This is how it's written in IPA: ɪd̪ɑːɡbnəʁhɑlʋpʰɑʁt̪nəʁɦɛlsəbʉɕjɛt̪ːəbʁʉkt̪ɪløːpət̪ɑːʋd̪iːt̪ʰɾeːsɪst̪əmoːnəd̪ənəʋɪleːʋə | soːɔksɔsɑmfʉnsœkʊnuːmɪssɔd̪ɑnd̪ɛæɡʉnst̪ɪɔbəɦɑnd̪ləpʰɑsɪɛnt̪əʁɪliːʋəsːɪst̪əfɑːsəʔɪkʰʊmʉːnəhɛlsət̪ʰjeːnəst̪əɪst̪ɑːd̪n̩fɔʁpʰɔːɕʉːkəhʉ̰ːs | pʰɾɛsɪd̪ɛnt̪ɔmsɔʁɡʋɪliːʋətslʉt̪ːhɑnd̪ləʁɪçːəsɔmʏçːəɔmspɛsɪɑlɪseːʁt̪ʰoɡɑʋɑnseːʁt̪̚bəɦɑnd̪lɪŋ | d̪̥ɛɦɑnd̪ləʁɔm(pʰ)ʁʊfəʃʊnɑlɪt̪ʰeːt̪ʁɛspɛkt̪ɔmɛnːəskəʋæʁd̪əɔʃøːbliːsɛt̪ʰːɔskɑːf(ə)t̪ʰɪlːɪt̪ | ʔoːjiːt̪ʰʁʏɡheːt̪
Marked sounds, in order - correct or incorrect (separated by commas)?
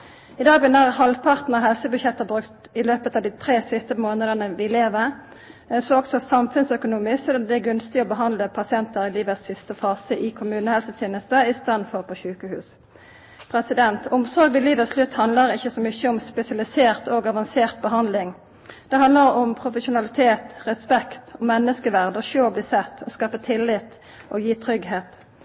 correct, correct